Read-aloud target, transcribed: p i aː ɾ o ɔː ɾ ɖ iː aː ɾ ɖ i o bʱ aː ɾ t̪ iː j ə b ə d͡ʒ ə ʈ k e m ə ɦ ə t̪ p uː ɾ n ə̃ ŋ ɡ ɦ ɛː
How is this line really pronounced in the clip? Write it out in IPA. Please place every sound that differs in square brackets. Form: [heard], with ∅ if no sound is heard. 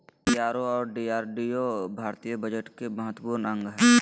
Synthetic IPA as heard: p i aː ɾ o ɔː ɾ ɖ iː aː ɾ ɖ i o bʱ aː ɾ t̪ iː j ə b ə d͡ʒ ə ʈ k e m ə ɦ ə t̪ p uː ɾ n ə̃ ŋ ɡ ɦ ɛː